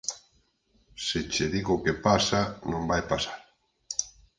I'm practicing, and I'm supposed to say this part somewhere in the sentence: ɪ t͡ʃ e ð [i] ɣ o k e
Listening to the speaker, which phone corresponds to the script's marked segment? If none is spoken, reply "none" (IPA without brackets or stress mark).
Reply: i